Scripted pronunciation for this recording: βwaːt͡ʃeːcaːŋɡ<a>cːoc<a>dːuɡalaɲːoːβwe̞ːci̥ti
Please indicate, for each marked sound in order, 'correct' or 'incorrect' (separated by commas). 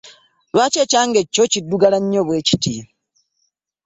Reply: incorrect, incorrect